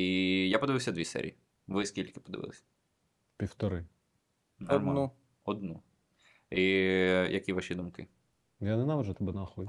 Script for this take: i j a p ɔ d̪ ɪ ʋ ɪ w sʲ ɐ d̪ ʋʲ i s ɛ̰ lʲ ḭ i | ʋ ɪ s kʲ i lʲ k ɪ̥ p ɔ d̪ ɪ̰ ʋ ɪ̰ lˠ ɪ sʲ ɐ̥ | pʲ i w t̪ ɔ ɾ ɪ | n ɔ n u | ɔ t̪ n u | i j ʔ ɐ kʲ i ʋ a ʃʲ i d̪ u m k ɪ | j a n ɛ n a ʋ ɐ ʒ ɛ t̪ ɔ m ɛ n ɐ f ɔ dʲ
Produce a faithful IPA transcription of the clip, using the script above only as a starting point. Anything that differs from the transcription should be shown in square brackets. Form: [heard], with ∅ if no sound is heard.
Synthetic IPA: i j a p ɔ d̪ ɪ ʋ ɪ w sʲ ɐ d̪ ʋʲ i s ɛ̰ [ɾʲ] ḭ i | ʋ ɪ s kʲ i lʲ k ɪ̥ p ɔ d̪ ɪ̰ ʋ ɪ̰ lˠ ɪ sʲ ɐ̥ | pʲ i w t̪ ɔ ɾ ɪ | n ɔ n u | ɔ [d̪] n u | i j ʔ ɐ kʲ i ʋ a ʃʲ i d̪ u m k ɪ | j a n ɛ n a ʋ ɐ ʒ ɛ t̪ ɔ [b] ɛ n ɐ [x] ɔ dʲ